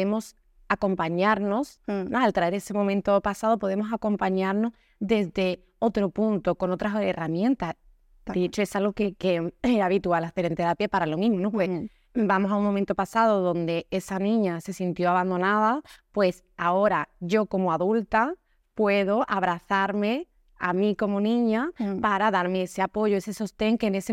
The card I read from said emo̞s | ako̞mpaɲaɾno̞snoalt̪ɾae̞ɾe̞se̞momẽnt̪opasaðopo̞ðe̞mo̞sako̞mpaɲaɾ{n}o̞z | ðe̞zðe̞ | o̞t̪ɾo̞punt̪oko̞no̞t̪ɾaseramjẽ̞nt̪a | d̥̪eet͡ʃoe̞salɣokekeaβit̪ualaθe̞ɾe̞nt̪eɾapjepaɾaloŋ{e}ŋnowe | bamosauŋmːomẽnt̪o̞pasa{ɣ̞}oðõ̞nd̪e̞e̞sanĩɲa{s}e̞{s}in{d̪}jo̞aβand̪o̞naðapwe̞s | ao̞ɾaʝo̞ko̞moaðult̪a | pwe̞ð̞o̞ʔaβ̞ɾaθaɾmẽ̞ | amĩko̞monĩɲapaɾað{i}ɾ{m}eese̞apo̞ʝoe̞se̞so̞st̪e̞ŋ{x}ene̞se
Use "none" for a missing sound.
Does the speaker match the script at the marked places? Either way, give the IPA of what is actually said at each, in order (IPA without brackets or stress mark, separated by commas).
n, i, ð̞, s, s, t̪, a, m, k